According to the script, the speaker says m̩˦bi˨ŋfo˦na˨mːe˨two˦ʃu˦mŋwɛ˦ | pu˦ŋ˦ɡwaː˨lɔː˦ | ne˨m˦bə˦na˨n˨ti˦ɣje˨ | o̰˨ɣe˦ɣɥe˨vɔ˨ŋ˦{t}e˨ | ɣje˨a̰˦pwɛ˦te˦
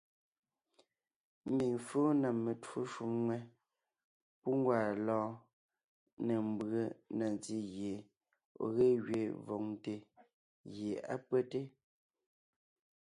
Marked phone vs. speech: correct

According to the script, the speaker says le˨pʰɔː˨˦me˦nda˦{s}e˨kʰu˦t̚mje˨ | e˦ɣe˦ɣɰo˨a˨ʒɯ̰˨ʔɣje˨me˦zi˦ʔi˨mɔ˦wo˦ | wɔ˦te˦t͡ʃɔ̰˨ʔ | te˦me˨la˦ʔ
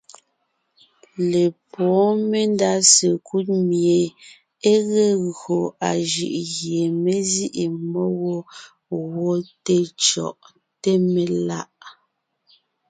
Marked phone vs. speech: correct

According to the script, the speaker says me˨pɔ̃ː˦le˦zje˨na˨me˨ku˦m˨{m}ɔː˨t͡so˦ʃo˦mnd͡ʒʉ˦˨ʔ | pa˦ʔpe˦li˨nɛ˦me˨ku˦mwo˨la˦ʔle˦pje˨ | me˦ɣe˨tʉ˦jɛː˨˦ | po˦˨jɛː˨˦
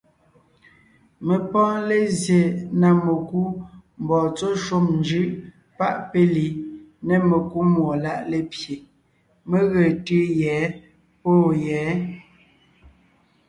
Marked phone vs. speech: incorrect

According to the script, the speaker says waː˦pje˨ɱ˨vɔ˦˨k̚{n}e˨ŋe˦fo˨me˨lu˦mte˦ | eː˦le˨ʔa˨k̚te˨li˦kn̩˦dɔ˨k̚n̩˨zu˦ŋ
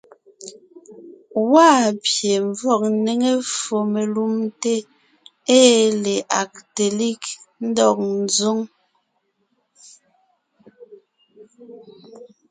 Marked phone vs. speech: correct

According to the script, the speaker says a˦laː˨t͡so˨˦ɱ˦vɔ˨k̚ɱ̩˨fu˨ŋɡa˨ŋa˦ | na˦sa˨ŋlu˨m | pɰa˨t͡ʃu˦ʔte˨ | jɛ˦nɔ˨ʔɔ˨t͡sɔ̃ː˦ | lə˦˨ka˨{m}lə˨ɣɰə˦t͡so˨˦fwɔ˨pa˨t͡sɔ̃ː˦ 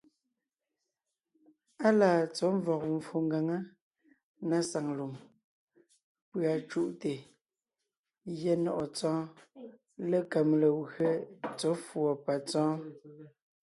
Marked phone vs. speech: correct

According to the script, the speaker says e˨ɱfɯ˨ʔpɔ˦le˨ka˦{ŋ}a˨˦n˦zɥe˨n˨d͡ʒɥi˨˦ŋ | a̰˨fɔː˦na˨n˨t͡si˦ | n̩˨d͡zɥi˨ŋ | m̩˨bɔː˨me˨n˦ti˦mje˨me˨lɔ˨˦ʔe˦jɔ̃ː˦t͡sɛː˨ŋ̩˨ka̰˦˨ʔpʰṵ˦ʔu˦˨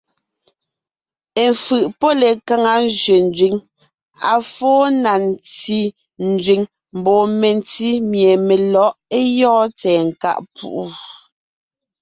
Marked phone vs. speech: correct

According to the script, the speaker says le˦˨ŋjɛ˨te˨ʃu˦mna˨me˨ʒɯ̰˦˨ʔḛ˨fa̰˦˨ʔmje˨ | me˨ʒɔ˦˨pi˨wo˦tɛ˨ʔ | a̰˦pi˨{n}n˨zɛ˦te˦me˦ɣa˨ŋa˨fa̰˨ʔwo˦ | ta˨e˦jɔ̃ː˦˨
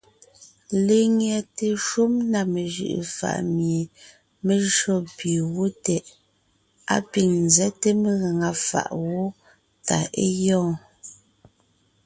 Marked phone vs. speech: incorrect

